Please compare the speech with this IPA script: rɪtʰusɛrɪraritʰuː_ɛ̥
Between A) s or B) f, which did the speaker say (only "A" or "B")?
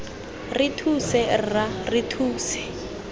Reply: A